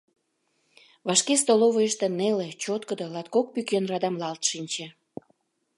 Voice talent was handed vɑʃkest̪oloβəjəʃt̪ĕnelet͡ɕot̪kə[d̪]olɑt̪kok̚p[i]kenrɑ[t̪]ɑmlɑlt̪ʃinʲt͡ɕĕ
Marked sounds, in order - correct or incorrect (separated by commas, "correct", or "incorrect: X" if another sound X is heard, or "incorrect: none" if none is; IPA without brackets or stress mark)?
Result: correct, incorrect: y, incorrect: d̪